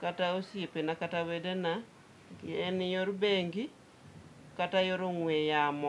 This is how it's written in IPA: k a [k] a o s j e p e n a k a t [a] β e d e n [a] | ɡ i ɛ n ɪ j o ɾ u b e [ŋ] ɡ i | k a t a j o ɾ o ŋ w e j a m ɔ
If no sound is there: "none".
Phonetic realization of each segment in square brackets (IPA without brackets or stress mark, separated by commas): t, a, a, ŋ